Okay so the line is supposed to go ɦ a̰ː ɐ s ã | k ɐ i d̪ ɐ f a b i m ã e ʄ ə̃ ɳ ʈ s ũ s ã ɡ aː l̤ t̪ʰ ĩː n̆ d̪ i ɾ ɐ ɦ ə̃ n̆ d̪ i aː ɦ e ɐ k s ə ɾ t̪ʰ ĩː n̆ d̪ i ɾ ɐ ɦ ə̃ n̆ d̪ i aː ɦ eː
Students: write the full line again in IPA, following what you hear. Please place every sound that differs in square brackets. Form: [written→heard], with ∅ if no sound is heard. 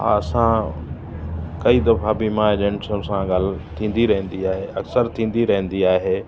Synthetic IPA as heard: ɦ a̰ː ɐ s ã | k ɐ i d̪ ɐ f a b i m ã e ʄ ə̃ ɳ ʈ s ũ s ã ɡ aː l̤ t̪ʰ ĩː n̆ d̪ i ɾ ɐ ɦ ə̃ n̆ d̪ i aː ɦ e ɐ k s ə ɾ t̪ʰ ĩː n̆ d̪ i ɾ ɐ ɦ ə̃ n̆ d̪ i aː ɦ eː

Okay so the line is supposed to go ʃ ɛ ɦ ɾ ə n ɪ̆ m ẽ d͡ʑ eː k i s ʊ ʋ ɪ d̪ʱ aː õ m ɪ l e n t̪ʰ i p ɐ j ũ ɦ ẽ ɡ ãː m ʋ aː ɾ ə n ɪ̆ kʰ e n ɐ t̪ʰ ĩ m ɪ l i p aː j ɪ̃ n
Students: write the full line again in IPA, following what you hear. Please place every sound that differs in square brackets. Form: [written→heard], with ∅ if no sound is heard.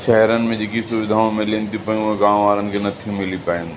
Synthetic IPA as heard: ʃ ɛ ɦ ɾ ə n ɪ̆ m ẽ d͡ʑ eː k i s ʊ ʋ ɪ d̪ʱ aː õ m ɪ l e n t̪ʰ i p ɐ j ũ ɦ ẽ ɡ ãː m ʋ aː ɾ ə n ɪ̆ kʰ e n ɐ t̪ʰ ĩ m ɪ l i p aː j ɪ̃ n

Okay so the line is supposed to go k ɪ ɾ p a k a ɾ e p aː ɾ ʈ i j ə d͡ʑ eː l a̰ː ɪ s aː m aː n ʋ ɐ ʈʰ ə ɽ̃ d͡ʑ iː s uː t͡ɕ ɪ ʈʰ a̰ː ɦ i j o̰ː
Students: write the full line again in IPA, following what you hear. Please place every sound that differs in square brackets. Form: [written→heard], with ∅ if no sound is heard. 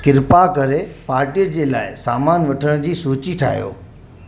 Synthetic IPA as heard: k ɪ ɾ p a k [a→ɐ] ɾ e p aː ɾ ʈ i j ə d͡ʑ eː l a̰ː ɪ s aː m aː n ʋ ɐ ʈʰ ə ɽ̃ d͡ʑ iː s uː t͡ɕ [ɪ→i] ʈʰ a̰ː ɦ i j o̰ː

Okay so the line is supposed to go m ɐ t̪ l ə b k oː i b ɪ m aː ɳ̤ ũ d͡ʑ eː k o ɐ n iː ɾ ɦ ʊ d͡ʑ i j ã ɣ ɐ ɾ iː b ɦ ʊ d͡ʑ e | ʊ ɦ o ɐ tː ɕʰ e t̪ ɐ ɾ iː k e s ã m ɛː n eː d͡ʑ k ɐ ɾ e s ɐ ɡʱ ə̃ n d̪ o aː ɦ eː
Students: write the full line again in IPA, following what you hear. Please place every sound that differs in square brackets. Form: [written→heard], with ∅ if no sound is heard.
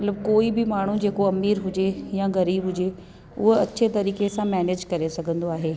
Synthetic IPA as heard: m ɐ t̪ l ə b k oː i b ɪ m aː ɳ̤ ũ d͡ʑ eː k o ɐ [n→m] iː ɾ ɦ ʊ d͡ʑ [i→e] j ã ɣ ɐ ɾ iː b ɦ ʊ d͡ʑ e | ʊ ɦ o ɐ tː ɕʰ e t̪ ɐ ɾ iː k e s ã m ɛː n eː d͡ʑ k ɐ ɾ e s ɐ ɡʱ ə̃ n d̪ o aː ɦ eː

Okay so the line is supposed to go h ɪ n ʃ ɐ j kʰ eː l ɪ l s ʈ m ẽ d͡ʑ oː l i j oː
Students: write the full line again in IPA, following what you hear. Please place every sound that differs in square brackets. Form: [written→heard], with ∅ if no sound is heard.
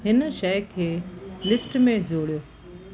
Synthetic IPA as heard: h ɪ n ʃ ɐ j kʰ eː l ɪ [l→∅] s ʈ m ẽ d͡ʑ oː [l→ɽ] i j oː

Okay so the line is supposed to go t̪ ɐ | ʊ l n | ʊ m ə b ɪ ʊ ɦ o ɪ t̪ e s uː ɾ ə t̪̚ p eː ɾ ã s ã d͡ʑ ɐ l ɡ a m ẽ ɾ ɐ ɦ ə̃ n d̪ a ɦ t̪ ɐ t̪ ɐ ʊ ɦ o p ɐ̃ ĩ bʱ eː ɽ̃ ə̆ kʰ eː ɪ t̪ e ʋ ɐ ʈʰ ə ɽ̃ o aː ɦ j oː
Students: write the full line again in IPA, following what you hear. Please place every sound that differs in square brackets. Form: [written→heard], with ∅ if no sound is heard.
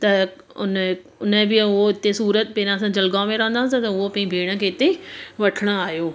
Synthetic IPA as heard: t̪ ɐ | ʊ [l→∅] n | ʊ [m→n] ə b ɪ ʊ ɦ o ɪ t̪ e s uː ɾ ə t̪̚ p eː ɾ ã s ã d͡ʑ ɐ l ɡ a m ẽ ɾ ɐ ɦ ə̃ n d̪ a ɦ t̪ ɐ t̪ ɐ ʊ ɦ o p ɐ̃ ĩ bʱ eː ɽ̃ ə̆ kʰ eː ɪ t̪ e ʋ ɐ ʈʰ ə ɽ̃ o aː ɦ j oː

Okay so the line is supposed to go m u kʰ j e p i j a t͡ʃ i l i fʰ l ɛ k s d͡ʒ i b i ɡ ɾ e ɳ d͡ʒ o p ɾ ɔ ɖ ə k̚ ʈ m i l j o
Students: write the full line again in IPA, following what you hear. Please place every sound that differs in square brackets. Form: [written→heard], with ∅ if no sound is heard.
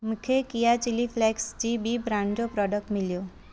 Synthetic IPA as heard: m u kʰ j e [p→k] i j a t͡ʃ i l i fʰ l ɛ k s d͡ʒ i b i [ɡ→b] ɾ [e→a] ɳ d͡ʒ o p ɾ ɔ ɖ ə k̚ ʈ m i l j o

